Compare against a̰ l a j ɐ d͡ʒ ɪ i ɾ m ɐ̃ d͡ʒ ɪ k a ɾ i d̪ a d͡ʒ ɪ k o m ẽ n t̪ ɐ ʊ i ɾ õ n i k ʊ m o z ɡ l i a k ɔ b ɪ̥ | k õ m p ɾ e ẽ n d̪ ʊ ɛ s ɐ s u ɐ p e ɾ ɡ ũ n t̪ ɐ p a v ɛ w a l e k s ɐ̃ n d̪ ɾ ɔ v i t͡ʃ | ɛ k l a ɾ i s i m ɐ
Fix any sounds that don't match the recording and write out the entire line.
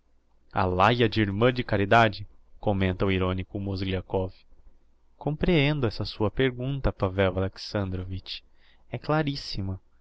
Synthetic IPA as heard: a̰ l a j ɐ d͡ʒ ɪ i ɾ m ɐ̃ d͡ʒ ɪ k a ɾ i d̪ a d͡ʒ ɪ k o m ẽ n t̪ ɐ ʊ i ɾ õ n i k ʊ m o z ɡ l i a k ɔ v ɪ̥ | k õ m p ɾ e ẽ n d̪ ʊ ɛ s ɐ s u ɐ p e ɾ ɡ ũ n t̪ ɐ p a v ɛ w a l e k s ɐ̃ n d̪ ɾ o v i t͡ʃ | ɛ k l a ɾ i s i m ɐ